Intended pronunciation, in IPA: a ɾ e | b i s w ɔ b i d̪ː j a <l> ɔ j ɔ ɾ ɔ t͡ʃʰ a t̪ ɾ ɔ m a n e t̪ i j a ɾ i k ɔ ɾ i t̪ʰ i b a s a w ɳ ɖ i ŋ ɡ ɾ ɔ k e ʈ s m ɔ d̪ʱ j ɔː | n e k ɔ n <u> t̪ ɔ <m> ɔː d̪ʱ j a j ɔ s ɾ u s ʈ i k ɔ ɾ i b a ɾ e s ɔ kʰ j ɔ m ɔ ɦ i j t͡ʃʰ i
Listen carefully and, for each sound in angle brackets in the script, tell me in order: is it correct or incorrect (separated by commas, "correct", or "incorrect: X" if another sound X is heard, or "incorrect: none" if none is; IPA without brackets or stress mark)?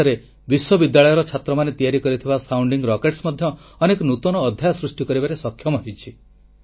incorrect: ɭ, correct, incorrect: n